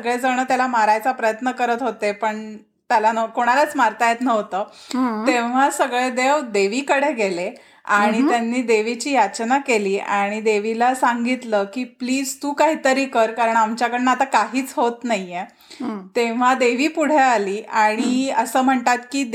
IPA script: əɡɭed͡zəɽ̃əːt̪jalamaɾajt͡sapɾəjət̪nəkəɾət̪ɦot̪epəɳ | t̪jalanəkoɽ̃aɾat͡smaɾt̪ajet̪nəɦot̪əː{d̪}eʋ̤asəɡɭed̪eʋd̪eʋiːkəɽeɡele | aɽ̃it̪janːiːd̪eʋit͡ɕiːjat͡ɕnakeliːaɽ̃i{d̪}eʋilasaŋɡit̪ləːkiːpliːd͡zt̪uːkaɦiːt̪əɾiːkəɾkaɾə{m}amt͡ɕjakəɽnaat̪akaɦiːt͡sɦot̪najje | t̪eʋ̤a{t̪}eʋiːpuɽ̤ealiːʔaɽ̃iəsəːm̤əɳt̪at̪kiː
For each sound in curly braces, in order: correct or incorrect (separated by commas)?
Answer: incorrect, correct, incorrect, incorrect